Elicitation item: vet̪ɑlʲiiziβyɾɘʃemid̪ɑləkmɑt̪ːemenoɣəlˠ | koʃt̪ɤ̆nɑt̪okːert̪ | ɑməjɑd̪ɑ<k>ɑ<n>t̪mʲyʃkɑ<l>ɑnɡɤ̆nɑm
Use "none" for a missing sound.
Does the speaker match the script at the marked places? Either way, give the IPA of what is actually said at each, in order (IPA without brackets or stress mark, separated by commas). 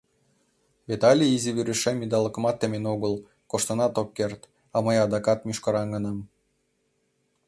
k, none, ɾ